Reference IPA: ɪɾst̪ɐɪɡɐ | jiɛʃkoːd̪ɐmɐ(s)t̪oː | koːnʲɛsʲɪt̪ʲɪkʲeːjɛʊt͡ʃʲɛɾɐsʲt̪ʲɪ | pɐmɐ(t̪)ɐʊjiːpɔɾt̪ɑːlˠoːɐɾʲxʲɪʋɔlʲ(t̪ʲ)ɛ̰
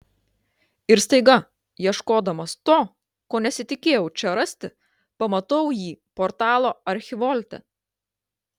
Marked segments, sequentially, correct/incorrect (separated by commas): correct, correct, correct